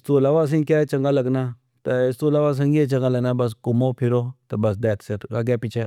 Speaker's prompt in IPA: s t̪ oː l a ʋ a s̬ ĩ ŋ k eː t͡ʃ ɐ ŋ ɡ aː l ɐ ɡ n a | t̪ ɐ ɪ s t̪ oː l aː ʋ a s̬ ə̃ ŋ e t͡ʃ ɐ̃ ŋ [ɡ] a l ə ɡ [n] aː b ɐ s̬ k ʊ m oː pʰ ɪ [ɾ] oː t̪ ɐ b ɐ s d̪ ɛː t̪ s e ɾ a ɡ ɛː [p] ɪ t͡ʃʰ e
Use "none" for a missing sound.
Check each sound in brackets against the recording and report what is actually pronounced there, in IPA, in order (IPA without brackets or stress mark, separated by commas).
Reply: ɡ, n, ɾ, p